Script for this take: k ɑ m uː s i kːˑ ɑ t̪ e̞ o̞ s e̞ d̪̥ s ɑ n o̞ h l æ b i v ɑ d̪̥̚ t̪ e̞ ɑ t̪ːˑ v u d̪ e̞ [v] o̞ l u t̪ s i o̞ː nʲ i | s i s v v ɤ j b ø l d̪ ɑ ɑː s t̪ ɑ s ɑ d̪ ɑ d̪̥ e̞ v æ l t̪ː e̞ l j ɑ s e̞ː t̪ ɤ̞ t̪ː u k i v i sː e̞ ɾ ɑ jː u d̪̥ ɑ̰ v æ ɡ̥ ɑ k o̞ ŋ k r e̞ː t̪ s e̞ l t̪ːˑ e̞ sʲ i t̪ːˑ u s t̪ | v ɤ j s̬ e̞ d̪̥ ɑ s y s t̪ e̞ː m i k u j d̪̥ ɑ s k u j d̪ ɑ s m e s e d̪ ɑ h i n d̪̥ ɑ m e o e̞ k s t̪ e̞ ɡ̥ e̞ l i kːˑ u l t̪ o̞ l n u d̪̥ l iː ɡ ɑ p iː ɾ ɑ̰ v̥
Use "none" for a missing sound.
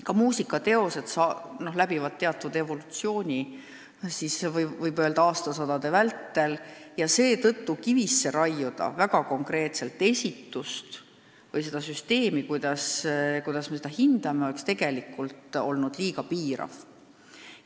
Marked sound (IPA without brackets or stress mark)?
v